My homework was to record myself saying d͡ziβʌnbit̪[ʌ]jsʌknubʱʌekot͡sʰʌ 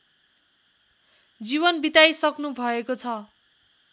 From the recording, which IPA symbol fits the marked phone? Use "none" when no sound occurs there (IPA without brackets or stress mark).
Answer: a